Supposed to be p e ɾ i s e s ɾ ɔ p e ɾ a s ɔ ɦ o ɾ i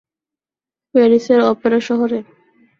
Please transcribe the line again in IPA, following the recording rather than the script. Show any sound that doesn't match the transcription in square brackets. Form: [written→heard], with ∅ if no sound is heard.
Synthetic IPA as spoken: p e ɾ i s e [s→∅] ɾ ɔ p e ɾ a [s→ʃ] ɔ ɦ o ɾ [i→e]